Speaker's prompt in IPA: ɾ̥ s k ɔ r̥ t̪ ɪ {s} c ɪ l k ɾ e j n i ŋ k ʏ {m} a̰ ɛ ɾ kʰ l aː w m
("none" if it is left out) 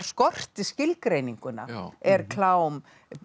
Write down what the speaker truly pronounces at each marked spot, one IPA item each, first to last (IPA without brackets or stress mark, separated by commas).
s, n